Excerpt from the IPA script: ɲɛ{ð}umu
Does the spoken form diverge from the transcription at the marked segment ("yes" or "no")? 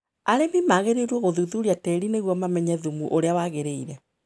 no